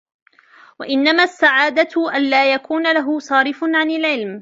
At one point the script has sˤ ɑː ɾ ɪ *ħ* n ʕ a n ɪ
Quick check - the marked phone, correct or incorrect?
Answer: incorrect